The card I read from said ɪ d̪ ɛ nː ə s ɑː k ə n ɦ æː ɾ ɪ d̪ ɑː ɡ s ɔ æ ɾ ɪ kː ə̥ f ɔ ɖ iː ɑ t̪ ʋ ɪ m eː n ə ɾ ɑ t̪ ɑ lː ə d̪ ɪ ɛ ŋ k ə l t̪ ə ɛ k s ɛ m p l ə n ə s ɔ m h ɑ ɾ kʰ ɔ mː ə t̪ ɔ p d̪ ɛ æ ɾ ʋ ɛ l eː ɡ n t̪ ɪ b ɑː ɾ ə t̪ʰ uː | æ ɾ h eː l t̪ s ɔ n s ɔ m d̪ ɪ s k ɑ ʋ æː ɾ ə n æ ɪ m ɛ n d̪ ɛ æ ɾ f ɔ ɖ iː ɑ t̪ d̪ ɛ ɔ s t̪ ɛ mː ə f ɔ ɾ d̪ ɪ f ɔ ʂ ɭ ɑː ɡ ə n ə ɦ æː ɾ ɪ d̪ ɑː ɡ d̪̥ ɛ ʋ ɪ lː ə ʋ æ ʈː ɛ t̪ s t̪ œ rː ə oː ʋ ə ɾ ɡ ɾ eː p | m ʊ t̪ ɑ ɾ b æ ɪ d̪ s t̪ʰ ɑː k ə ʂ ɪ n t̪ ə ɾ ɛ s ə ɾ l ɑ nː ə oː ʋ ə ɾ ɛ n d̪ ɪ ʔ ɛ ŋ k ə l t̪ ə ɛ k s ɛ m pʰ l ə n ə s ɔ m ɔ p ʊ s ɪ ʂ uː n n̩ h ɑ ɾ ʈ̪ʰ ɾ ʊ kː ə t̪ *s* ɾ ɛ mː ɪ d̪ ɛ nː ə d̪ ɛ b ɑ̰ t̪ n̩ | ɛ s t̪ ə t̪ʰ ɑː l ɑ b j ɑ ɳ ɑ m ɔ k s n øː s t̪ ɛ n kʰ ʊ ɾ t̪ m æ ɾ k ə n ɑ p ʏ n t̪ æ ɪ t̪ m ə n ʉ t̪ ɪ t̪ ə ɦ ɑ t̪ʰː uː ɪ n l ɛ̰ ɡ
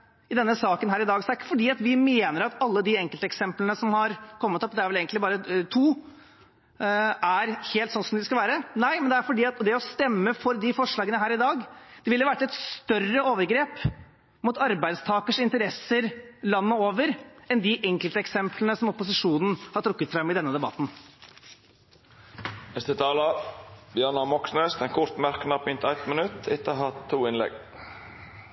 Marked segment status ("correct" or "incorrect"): incorrect